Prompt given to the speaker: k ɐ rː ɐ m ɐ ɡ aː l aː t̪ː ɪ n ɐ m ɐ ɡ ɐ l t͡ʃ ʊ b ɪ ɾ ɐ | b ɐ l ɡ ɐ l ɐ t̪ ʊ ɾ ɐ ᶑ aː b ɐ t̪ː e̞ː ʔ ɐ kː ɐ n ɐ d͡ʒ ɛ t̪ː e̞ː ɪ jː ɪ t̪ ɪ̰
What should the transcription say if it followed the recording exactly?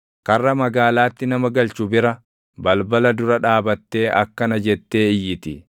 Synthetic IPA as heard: k ɐ rː ɐ m ɐ ɡ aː l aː t̪ː ɪ n ɐ m ɐ ɡ ɐ l t͡ʃ ʊ b ɪ ɾ ɐ | b ɐ l b ɐ l ɐ d̪ ʊ ɾ ɐ ᶑ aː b ɐ t̪ː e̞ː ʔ ɐ kː ɐ n ɐ d͡ʒ ɛ t̪ː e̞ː ɪ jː ɪ t̪ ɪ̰